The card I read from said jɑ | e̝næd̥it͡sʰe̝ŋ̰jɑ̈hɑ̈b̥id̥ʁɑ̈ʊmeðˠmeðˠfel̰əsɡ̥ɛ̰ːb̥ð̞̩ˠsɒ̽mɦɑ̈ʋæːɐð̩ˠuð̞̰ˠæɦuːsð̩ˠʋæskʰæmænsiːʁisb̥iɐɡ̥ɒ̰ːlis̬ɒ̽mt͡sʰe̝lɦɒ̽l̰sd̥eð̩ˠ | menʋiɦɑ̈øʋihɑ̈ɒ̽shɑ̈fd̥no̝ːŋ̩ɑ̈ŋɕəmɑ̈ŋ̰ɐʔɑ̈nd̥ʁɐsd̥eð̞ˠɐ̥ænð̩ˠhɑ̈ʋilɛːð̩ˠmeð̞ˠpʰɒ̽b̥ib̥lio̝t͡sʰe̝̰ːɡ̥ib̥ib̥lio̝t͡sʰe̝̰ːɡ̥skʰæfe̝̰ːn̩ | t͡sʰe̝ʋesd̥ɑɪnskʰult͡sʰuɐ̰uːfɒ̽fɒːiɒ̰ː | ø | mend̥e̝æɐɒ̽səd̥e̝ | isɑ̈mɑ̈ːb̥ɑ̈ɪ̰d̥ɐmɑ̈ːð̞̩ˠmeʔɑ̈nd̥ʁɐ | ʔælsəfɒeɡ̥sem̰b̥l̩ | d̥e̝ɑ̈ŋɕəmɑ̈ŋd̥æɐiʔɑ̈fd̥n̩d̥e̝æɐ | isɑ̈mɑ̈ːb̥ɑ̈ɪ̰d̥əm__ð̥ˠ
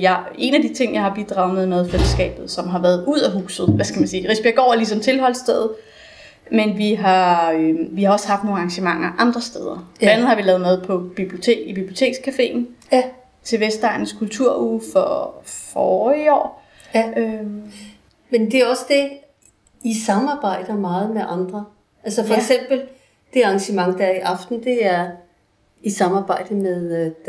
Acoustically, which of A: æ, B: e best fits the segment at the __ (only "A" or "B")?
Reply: B